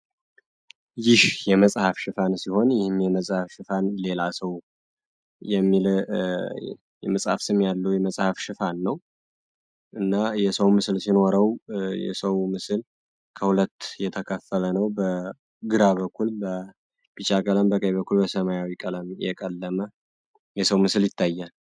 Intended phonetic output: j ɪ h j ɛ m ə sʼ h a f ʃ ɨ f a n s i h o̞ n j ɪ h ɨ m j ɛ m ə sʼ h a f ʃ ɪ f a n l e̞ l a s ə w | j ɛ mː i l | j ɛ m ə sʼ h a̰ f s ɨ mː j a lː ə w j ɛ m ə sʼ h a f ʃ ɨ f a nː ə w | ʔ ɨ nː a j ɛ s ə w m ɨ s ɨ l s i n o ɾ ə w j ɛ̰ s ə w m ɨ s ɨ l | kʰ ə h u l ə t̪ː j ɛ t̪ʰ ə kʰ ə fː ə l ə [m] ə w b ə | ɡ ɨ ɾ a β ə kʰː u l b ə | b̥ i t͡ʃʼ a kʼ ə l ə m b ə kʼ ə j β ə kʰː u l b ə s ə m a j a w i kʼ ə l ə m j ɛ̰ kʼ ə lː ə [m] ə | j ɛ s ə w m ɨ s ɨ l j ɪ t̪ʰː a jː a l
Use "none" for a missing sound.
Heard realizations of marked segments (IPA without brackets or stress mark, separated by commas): n, m